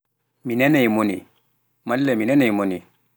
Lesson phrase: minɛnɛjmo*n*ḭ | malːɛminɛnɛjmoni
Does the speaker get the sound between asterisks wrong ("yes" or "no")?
no